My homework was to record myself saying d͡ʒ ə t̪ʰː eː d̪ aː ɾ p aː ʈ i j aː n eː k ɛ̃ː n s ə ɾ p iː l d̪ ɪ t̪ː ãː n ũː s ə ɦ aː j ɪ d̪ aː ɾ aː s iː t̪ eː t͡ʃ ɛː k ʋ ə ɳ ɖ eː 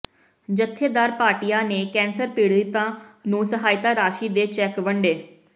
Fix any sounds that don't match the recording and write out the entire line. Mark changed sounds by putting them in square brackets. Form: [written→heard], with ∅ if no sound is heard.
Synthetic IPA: d͡ʒ ə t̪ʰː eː d̪ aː ɾ p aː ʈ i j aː n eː k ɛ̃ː n s ə ɾ p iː [l→ɽ] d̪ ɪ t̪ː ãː n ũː s ə ɦ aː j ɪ [d̪→t̪] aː ɾ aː [s→ʃ] iː [t̪→d̪] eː t͡ʃ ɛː k ʋ ə ɳ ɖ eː